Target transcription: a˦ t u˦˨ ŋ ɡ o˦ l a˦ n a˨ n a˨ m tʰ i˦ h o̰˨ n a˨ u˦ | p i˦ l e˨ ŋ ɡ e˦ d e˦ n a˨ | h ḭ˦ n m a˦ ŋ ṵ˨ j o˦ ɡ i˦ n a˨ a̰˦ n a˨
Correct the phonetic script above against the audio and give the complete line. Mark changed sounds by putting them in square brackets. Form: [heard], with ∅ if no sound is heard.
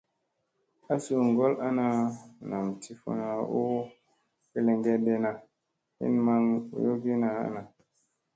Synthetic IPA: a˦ [s] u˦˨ ŋ ɡ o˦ l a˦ n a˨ n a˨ m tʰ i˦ [f] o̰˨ n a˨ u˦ | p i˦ l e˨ ŋ ɡ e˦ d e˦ n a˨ | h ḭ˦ n m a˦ ŋ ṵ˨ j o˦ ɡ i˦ n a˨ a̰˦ n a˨